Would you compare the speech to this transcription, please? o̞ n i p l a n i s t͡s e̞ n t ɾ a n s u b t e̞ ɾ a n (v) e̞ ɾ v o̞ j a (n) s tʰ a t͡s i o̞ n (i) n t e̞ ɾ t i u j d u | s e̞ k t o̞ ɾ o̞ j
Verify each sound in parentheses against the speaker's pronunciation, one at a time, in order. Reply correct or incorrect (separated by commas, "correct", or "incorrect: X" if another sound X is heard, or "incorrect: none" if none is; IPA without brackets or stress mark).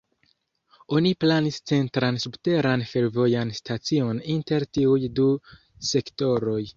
incorrect: f, correct, correct